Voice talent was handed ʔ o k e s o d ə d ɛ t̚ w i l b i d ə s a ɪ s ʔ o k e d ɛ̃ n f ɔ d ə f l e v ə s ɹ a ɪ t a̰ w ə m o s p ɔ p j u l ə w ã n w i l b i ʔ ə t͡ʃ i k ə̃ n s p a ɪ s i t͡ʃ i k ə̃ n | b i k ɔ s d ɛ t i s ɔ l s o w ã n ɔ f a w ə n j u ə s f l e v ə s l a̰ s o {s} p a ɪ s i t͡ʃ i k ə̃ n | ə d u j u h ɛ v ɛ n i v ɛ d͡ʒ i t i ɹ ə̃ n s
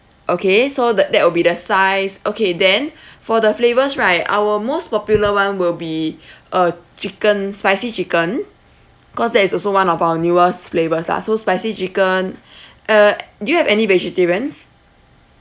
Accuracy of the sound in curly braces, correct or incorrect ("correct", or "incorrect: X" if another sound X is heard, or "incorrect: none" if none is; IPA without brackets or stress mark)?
correct